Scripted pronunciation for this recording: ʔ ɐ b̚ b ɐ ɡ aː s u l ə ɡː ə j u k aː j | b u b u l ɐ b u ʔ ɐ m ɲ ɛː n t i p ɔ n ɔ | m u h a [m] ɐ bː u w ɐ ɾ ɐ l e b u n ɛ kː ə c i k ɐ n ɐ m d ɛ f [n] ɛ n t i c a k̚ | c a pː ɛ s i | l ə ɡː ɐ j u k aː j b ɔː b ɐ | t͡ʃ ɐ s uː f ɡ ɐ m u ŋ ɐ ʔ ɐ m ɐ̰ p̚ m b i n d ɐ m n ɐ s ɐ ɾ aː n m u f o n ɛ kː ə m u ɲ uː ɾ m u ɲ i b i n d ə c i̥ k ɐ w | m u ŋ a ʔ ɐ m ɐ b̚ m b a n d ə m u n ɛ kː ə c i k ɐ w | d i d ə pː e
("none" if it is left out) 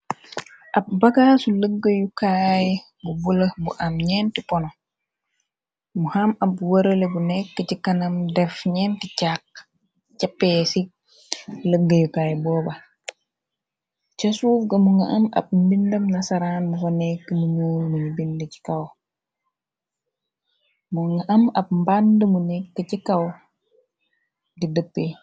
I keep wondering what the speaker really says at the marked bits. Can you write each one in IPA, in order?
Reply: m, ɲ

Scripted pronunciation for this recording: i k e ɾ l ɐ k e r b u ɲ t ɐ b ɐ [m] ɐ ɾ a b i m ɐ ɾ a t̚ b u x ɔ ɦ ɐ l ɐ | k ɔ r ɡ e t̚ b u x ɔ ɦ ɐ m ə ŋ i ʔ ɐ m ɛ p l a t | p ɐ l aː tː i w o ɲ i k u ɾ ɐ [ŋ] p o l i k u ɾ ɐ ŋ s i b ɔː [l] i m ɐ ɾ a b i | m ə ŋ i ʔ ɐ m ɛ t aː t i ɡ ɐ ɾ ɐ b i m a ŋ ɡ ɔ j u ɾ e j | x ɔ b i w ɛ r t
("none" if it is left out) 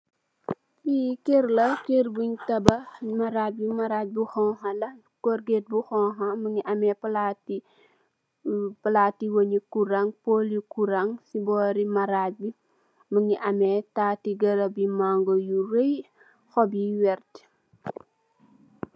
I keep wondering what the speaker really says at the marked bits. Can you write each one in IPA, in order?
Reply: m, ŋ, ɾ

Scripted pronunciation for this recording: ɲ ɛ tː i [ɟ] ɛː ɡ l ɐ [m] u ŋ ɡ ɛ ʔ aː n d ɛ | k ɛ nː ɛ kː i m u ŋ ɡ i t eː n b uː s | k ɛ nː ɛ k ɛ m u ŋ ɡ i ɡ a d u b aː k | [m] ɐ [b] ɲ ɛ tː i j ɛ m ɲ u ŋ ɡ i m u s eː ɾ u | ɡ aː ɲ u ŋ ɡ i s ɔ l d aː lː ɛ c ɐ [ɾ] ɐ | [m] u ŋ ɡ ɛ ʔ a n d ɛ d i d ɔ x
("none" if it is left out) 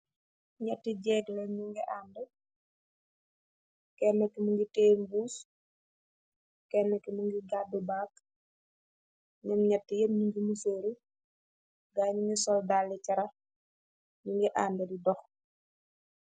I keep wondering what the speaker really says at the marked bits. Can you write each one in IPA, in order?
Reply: ɟ, ɲ, ɲ, m, ɾ, ɲ

